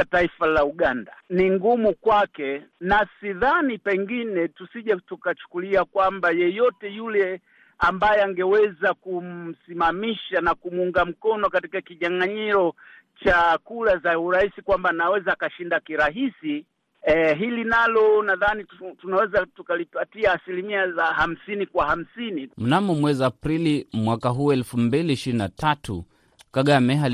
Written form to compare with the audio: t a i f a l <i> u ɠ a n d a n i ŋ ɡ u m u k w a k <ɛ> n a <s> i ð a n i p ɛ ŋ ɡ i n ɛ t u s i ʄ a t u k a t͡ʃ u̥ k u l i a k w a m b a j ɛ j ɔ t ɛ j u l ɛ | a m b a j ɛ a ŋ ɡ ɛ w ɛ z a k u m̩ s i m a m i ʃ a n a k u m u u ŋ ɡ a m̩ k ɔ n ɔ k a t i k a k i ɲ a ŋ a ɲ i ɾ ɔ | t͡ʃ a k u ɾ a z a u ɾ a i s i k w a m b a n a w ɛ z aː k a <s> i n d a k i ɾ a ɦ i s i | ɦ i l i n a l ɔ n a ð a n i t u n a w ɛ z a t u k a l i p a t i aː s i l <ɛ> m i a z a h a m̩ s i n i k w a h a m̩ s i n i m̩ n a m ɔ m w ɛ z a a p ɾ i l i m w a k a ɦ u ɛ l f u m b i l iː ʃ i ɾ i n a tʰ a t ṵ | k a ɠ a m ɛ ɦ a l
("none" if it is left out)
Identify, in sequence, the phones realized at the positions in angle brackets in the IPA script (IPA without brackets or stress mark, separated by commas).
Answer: a, ɛ, s, ʃ, i